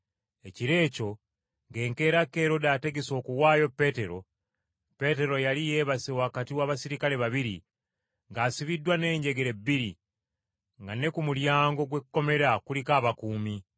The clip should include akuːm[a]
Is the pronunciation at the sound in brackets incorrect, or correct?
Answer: incorrect